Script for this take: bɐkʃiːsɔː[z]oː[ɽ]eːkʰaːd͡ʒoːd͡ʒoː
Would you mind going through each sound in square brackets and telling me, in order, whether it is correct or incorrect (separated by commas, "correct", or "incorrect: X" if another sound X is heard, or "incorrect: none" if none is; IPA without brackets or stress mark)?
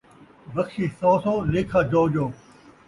incorrect: s, incorrect: l